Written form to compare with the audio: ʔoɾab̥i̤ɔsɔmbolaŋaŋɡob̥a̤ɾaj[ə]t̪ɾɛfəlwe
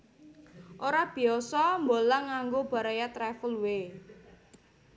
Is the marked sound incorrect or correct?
incorrect